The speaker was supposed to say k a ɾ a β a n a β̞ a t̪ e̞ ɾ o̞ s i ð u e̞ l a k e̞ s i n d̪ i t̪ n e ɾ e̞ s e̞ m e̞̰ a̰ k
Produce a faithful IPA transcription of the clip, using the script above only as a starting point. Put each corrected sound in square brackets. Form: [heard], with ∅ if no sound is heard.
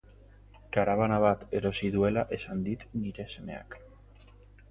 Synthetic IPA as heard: k a ɾ a β a n a β̞ a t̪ e̞ ɾ o̞ s i ð u e̞ l a [ʔ] e̞ s [a] n d̪ i t̪ n [i] ɾ e̞ s e̞ m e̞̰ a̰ k

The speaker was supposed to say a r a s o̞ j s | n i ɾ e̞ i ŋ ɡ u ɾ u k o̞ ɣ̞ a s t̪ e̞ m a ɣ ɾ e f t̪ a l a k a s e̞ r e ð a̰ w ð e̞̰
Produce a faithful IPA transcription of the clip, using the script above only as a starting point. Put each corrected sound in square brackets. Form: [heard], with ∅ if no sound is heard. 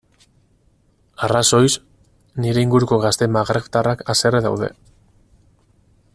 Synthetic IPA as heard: a r a s o̞ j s | n i ɾ e̞ i ŋ ɡ u ɾ u k o̞ ɣ̞ a s t̪ e̞ m a ɣ ɾ e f t̪ a [r] a k a s e̞ r e ð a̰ w ð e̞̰

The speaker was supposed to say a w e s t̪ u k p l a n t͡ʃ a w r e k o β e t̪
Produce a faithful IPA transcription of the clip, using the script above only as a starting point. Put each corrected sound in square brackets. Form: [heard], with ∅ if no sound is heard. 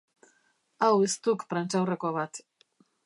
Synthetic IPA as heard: a w e s t̪ u k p [ɾ] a n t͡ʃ a w r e k o β [a] t̪

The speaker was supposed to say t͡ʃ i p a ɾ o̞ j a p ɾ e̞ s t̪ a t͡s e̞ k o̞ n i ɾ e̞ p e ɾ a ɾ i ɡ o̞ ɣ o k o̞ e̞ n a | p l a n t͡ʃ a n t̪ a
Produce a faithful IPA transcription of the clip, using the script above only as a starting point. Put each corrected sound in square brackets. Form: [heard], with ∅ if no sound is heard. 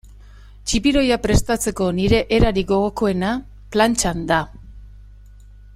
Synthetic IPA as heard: t͡ʃ i p [i] ɾ o̞ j a p ɾ e̞ s t̪ a t͡s e̞ k o̞ n i ɾ e̞ [ʔ] e ɾ a ɾ i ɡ o̞ ɣ o k o̞ e̞ n a | p l a n t͡ʃ a n [d̪] a

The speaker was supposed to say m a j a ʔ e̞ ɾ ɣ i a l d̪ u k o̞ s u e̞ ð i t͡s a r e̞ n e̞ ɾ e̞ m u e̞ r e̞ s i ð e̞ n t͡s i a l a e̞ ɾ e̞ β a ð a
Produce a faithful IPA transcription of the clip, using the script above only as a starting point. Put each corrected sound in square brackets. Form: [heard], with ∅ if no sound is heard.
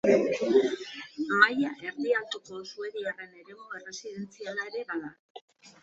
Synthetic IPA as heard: m a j a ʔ e̞ ɾ [ð] i a l [t̪] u k o̞ s u e̞ ð i [∅] a r e̞ n e̞ ɾ e̞ m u e̞ r e̞ s i ð e̞ n t͡s i a l a e̞ ɾ e̞ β a ð a

